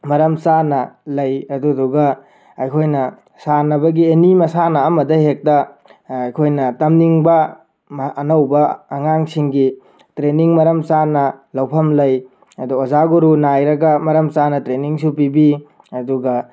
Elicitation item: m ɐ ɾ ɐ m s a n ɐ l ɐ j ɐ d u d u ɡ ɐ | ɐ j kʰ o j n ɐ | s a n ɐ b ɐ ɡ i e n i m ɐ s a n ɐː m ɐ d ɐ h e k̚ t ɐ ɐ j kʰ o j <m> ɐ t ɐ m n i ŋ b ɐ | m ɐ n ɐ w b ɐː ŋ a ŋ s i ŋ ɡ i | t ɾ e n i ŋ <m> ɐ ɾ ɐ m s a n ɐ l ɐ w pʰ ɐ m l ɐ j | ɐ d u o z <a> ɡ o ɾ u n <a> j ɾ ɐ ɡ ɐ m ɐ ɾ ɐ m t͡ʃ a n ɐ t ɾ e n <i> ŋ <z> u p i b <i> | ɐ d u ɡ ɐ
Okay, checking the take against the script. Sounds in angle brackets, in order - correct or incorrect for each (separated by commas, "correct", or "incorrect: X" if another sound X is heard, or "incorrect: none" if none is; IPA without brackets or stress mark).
incorrect: n, correct, correct, correct, correct, incorrect: s, correct